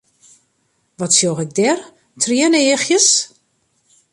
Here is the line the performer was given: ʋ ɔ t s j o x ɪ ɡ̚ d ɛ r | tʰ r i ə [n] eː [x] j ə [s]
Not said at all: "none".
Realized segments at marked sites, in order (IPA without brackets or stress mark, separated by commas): n, x, s